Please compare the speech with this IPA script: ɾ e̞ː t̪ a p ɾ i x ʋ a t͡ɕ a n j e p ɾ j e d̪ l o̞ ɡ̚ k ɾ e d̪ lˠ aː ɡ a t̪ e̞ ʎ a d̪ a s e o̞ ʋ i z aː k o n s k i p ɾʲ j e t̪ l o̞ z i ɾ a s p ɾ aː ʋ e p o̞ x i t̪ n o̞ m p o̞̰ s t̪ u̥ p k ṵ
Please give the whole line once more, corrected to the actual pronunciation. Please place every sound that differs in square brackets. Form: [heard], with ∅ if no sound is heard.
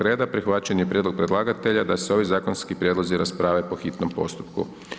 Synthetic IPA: ɾ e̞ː [d̪] a p ɾ i x ʋ a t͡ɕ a n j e p ɾ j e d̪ l o̞ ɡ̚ [p] ɾ e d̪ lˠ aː ɡ a t̪ e̞ ʎ a d̪ a s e o̞ ʋ i z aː k o n s k i p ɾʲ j e [d̪] l o̞ z i ɾ a s p ɾ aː ʋ e p o̞ x i t̪ n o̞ m p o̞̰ s t̪ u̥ p k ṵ